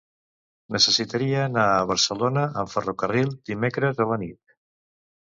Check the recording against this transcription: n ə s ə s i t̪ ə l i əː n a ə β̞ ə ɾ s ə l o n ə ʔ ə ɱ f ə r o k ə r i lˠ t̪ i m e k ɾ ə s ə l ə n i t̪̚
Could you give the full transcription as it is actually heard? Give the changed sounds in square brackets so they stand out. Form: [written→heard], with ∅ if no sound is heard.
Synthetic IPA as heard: n ə s ə s i t̪ ə [l→ɾ] i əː n a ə β̞ ə ɾ s ə l o n ə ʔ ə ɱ f ə r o k ə r i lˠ [t̪→d̪] i m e k ɾ ə [s→z] ə l ə n i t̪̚